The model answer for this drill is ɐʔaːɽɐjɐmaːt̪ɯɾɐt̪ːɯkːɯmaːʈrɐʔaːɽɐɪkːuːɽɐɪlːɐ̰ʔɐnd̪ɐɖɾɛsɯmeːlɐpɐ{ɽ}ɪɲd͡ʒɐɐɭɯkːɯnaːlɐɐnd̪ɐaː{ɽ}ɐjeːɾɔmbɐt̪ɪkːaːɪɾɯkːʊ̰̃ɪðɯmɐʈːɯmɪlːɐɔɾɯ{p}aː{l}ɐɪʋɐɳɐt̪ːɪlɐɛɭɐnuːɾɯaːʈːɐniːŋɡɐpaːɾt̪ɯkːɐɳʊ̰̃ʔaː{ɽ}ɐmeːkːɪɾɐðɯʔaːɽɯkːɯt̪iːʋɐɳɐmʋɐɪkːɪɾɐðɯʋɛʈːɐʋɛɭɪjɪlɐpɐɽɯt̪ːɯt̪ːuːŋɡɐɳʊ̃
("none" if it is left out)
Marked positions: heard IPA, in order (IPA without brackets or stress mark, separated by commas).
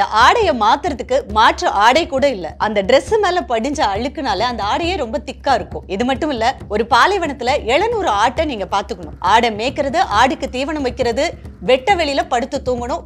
ɽ, ɽ, p, l, ɽ